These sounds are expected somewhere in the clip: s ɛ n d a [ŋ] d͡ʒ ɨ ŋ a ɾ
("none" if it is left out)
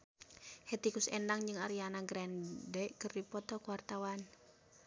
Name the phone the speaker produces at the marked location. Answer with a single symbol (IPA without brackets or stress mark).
ŋ